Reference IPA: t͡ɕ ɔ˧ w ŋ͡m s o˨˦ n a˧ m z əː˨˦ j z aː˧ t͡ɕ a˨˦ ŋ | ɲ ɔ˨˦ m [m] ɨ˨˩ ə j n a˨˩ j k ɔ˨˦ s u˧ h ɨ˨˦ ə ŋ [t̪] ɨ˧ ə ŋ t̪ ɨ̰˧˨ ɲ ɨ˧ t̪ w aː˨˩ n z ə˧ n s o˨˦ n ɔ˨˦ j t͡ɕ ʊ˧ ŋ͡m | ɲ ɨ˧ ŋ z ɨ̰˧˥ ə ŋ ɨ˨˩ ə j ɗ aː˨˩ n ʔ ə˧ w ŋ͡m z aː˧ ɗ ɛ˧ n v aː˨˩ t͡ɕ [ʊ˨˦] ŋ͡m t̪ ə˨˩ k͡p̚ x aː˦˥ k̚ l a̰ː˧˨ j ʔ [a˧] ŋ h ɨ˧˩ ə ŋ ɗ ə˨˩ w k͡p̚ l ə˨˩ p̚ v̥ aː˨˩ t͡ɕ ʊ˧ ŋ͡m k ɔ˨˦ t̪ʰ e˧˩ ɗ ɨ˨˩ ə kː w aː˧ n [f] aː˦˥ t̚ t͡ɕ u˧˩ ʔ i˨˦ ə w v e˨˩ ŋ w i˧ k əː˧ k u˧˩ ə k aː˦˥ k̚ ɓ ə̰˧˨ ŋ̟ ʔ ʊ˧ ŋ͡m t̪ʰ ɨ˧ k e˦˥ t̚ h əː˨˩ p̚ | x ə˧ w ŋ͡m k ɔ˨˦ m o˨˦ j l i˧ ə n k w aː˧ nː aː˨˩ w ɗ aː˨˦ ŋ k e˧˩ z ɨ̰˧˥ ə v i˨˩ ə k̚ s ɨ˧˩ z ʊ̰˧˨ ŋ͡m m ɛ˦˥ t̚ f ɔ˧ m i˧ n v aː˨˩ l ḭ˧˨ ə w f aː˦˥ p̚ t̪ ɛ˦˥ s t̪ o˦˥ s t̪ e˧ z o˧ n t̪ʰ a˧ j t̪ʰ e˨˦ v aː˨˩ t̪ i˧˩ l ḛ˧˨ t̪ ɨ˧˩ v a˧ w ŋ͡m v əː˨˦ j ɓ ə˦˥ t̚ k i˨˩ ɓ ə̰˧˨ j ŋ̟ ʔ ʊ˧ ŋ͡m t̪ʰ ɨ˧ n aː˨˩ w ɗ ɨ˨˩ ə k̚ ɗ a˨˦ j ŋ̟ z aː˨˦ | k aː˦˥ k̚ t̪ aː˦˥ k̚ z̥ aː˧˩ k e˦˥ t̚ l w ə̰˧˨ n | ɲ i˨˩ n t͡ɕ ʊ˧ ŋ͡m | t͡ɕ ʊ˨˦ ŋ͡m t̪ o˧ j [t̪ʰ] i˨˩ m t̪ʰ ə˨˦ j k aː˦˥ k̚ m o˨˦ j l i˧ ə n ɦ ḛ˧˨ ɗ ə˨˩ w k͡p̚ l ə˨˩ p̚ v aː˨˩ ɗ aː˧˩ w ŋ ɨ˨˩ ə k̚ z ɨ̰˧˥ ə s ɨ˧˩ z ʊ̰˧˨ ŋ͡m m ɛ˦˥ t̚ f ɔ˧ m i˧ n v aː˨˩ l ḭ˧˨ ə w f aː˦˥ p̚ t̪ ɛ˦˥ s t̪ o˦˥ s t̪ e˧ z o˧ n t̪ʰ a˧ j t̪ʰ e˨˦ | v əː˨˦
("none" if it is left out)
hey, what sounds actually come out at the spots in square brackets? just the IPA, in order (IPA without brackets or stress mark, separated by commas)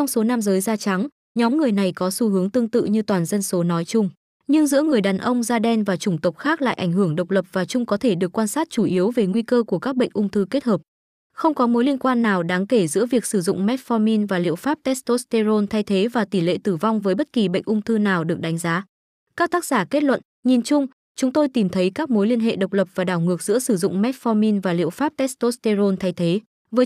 ŋ, t̪, ʊ˧˩, a˧˩, s, t̪